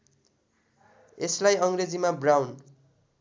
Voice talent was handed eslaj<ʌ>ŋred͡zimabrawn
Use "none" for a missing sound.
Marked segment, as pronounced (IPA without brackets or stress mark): ʌ